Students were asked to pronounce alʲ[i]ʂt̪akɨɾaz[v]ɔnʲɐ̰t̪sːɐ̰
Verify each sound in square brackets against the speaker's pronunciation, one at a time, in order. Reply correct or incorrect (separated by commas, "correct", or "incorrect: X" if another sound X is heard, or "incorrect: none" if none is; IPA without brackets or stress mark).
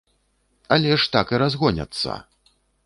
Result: incorrect: ɛ, incorrect: ɣ